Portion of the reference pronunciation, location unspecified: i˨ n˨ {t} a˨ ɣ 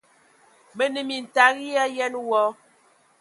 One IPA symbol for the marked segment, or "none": t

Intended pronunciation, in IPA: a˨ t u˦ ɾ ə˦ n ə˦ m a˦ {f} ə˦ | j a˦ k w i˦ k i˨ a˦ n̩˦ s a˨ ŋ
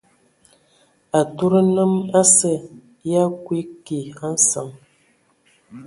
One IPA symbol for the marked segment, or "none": s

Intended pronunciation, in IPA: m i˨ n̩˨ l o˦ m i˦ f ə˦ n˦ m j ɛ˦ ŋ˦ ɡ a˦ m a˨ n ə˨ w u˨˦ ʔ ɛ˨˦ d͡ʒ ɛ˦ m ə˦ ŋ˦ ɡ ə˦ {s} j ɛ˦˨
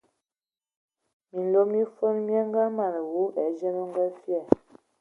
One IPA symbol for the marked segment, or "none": f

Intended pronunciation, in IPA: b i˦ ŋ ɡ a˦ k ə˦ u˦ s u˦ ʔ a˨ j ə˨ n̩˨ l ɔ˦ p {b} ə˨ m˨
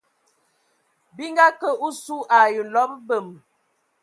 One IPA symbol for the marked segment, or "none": b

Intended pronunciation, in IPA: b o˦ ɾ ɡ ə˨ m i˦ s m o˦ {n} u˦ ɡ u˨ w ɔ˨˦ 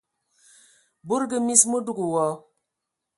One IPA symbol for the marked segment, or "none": d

